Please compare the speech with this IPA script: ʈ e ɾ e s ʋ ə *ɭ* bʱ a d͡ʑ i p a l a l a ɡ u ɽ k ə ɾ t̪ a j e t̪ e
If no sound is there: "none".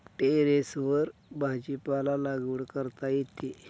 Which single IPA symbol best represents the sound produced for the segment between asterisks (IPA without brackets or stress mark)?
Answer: ɾ